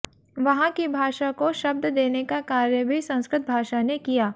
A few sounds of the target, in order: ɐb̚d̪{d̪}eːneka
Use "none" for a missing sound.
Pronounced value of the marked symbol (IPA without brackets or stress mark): d̪